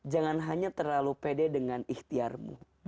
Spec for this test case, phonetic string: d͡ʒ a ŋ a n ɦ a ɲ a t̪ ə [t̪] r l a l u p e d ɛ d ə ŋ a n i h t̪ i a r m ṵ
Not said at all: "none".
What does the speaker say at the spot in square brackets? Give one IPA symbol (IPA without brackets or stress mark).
none